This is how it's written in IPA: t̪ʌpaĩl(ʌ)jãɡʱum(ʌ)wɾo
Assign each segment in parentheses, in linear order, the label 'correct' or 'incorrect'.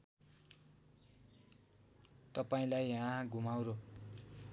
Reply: incorrect: a, incorrect: a

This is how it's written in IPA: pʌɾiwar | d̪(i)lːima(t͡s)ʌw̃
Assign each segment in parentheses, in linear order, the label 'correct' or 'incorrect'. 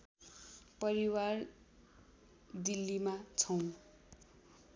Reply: correct, incorrect: t͡sʰ

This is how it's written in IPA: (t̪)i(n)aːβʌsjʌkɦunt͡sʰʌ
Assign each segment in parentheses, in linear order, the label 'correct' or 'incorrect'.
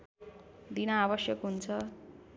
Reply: incorrect: d̪, correct

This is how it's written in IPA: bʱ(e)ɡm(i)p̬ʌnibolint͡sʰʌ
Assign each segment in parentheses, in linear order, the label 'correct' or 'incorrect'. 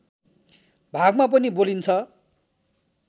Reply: incorrect: a, incorrect: a

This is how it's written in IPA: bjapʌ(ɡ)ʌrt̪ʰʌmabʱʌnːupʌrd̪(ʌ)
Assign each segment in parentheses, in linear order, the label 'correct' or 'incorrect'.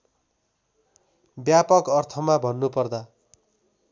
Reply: incorrect: k, incorrect: a

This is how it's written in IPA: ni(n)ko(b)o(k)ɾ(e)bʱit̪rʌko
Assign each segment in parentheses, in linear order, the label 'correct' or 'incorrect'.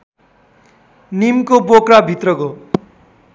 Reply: incorrect: m, correct, correct, incorrect: a

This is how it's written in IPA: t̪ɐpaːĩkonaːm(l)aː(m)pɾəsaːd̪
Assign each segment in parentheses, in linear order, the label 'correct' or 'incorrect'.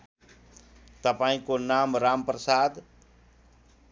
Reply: incorrect: ɾ, correct

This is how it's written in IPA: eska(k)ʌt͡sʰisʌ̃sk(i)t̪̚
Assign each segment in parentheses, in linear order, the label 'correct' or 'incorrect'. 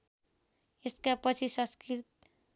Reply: incorrect: p, correct

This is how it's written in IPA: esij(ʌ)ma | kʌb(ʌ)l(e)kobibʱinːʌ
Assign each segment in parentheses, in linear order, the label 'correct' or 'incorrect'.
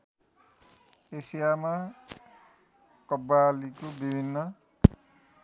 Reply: incorrect: a, incorrect: a, incorrect: i

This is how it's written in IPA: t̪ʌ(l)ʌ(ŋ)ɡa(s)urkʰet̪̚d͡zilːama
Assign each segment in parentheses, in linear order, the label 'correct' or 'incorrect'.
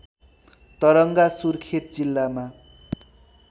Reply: incorrect: ɾ, correct, correct

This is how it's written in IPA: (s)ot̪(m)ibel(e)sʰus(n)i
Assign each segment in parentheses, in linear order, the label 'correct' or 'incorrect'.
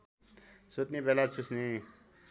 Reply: correct, incorrect: n, incorrect: a, correct

